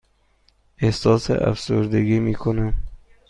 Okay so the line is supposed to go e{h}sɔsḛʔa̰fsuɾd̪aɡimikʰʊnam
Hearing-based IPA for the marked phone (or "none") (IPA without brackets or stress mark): h